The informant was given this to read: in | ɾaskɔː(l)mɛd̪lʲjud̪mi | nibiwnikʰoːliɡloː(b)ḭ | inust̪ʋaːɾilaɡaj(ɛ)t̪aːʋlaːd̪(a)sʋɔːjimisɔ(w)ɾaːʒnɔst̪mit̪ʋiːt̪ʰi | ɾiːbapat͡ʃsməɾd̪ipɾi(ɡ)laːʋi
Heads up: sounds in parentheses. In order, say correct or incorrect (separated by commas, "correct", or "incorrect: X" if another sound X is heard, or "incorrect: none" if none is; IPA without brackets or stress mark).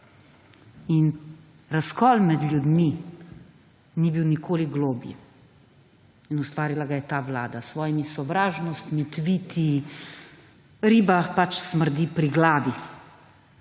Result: correct, correct, correct, correct, incorrect: ʋ, correct